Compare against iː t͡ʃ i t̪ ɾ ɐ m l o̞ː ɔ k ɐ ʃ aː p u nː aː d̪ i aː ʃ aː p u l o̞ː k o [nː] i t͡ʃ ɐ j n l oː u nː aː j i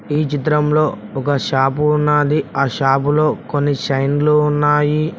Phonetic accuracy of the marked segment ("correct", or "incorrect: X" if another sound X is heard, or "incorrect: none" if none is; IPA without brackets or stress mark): correct